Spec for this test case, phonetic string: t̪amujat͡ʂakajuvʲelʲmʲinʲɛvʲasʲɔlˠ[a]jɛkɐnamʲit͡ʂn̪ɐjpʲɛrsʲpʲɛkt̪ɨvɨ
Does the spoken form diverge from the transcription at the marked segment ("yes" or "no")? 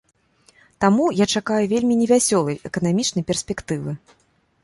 yes